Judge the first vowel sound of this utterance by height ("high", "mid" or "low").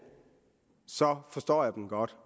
low